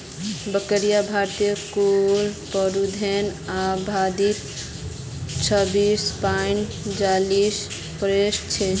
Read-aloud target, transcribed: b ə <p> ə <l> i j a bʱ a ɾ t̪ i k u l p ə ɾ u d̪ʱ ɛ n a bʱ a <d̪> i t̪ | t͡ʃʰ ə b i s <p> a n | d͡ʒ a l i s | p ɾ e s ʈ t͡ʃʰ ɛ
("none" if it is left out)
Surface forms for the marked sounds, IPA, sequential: k, ɾ, d̪, p

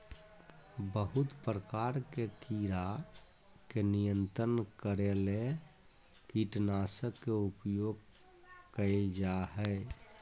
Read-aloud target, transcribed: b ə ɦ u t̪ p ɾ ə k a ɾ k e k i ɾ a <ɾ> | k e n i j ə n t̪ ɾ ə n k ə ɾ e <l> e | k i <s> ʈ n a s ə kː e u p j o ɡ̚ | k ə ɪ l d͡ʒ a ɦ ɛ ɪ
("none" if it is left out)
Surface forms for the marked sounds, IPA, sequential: none, l, none

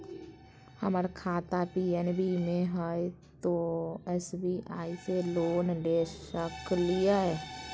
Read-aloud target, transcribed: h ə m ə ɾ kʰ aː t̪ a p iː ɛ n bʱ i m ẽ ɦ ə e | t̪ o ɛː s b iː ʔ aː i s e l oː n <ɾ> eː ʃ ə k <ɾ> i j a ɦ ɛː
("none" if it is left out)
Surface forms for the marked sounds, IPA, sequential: l, l

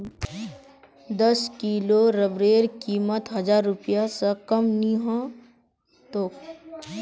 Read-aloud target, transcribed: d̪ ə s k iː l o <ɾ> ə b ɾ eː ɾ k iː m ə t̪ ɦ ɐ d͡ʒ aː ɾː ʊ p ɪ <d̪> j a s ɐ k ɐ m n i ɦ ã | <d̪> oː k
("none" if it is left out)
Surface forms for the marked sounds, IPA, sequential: ɾ, none, t̪

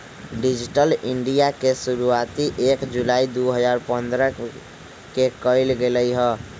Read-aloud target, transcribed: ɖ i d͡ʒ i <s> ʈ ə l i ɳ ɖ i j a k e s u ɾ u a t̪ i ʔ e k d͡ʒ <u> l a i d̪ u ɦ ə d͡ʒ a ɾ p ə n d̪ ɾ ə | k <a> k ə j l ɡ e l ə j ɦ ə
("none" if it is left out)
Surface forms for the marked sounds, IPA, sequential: none, u, e

